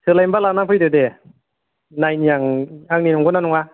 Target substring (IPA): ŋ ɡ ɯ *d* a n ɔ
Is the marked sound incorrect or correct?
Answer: incorrect